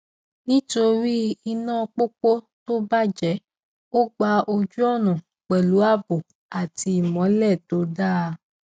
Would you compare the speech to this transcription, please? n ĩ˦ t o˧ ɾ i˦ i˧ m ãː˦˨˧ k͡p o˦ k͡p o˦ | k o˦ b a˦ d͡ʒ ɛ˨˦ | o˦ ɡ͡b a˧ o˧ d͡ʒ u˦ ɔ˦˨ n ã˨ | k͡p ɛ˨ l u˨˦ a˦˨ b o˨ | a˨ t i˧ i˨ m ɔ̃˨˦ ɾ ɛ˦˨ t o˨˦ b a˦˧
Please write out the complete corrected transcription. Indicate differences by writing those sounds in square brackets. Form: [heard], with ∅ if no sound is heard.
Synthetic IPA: n ĩ˦ t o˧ ɾ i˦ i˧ [n] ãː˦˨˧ k͡p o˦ k͡p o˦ | [t] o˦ b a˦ d͡ʒ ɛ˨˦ | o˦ ɡ͡b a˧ o˧ d͡ʒ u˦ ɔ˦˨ n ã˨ | k͡p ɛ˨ l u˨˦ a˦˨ b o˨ | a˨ t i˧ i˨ m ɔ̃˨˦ [l] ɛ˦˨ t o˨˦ [d] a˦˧